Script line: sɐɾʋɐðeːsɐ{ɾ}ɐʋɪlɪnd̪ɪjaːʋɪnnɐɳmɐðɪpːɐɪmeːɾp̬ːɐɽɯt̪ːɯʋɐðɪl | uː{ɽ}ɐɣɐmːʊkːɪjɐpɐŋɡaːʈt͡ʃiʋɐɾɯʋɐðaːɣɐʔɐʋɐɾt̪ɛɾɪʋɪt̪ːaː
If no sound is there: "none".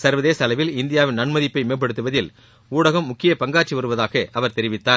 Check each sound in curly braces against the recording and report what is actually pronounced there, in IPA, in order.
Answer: l, ɽ

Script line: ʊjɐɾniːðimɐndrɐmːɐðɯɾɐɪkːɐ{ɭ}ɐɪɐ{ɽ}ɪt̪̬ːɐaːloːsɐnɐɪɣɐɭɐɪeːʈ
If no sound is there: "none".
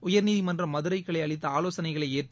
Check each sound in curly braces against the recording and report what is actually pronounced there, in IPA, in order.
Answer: ɭ, ɭ

